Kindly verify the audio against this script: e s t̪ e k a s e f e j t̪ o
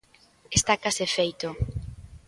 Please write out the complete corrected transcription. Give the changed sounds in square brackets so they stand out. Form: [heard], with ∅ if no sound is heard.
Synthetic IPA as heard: e s t̪ [a] k a s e f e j t̪ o